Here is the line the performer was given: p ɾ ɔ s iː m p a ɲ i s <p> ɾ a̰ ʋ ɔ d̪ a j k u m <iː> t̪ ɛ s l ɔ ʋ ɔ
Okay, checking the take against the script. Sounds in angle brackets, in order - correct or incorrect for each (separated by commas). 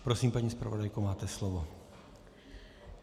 correct, incorrect